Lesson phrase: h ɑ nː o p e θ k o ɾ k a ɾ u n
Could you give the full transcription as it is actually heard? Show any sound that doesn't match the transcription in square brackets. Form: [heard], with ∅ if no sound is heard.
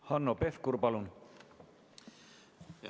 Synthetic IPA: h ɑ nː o p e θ k [u] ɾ [p] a [l] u n

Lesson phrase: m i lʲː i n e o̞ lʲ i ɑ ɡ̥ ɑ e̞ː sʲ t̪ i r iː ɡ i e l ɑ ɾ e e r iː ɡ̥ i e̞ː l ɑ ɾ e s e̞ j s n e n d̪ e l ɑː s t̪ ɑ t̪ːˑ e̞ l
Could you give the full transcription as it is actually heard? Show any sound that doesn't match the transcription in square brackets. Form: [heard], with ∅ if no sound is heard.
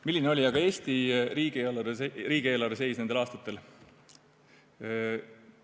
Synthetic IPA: m i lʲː i n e o̞ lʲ i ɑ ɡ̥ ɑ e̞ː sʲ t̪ i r iː ɡ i e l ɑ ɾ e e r iː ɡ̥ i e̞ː l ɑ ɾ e s e̞ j s n e n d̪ e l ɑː s t̪ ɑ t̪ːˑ e̞ l

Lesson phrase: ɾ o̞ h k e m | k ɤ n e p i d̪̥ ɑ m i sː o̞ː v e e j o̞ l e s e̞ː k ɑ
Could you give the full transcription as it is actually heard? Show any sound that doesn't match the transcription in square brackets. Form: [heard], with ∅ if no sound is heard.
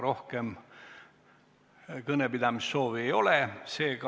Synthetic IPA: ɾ o̞ h k e m | k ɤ n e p i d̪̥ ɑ m i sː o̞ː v [i] e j o̞ l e s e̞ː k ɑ

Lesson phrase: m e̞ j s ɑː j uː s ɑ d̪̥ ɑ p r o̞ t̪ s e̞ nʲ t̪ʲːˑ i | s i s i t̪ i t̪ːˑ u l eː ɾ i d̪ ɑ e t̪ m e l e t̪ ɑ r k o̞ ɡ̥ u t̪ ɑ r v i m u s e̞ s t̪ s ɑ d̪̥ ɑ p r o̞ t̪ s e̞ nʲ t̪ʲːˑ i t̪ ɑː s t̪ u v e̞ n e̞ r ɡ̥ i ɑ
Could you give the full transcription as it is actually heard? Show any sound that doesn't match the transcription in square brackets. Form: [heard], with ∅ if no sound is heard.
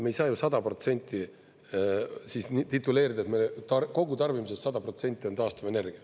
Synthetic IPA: m e̞ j s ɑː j [u] s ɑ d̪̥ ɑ p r o̞ t̪ s e̞ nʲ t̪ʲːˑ i | s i s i t̪ i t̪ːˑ u l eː ɾ i d̪ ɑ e t̪ m e l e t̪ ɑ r k o̞ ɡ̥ u t̪ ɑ r v i m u s e̞ s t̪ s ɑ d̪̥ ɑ p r o̞ t̪ s e̞ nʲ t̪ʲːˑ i t̪ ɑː s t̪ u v e̞ n e̞ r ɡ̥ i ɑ

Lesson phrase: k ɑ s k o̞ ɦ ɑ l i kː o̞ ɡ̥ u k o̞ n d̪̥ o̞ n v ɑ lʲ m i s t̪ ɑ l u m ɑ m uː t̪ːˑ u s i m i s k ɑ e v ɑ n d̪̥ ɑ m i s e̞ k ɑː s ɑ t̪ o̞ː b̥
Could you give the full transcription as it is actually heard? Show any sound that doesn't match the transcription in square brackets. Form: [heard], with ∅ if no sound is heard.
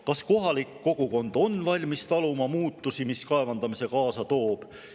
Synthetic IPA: k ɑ s k o̞ ɦ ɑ l i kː o̞ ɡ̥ u k o̞ n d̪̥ o̞ n v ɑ lʲ m i s t̪ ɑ l u m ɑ m uː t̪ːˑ u s i m i s k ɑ e v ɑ n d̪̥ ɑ m i s e̞ k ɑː s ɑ t̪ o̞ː b̥

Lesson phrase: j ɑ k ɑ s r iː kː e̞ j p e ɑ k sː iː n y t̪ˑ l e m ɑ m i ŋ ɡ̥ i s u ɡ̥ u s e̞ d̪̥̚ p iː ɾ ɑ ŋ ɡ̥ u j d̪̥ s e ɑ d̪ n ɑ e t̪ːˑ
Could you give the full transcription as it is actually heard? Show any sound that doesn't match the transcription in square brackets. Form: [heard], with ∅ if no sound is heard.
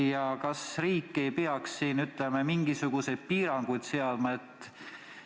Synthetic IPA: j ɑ k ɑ s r iː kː e̞ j p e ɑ k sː iː n y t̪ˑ l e m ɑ m i ŋ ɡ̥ i s u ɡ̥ u s e̞ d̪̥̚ p iː ɾ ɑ ŋ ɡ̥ u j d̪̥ s e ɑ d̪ [m] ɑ e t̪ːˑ

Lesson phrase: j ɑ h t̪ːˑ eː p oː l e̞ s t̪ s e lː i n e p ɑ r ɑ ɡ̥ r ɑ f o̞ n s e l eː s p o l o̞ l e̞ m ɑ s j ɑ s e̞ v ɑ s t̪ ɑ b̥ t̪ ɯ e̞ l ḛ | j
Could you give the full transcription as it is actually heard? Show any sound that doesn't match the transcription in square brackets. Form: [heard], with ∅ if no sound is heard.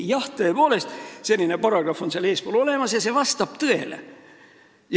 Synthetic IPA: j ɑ h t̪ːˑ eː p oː l e̞ s t̪ s e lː i n e p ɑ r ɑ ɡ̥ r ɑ f o̞ n s e l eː s p o l o̞ l e̞ m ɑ s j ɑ s e̞ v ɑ s t̪ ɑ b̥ t̪ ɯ e̞ l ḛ | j

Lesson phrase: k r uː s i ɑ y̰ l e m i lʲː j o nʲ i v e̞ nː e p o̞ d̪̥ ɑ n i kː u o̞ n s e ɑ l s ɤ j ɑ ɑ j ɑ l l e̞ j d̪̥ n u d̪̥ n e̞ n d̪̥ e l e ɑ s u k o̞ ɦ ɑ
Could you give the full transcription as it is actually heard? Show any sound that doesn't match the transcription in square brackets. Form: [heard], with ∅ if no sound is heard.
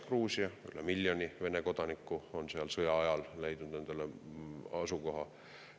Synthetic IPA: k r uː s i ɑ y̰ l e m i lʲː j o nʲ i v e̞ [n] e [k] o̞ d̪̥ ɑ n i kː u o̞ n s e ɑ l s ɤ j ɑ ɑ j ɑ l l e̞ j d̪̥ n u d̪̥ n e̞ n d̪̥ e l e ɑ s u k o̞ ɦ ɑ

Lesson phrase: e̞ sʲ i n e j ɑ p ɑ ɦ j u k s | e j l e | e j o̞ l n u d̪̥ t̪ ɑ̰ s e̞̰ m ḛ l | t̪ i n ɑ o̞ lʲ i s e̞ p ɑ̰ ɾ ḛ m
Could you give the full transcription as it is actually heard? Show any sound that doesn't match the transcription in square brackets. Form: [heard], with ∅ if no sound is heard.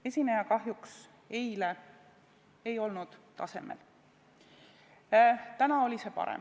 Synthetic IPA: e̞ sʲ i n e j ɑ [k] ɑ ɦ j u k s | e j l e | e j o̞ l n u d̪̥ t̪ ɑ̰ s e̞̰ m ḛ l | t̪ [æ] n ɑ o̞ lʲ i s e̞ p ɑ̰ ɾ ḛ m

